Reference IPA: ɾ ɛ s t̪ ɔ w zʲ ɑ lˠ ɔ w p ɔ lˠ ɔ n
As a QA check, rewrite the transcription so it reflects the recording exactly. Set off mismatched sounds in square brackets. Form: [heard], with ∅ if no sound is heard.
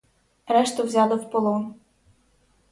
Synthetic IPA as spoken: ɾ ɛ [ʃ] t̪ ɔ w zʲ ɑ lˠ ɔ w p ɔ lˠ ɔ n